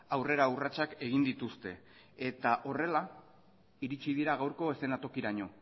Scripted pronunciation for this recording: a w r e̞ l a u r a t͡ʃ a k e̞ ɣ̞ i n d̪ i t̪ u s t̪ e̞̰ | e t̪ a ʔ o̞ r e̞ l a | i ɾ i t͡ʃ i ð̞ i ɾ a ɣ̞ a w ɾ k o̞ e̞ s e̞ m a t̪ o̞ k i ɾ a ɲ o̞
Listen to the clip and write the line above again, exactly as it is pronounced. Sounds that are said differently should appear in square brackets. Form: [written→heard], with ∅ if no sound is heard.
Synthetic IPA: a w r e̞ [l→ɾ] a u r a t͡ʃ a k e̞ ɣ̞ i n d̪ i t̪ u s t̪ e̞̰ | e t̪ a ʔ o̞ r e̞ l a | i ɾ i t͡ʃ i ð̞ i ɾ a ɣ̞ a w ɾ k o̞ e̞ s e̞ [m→n] a t̪ o̞ k i ɾ a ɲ o̞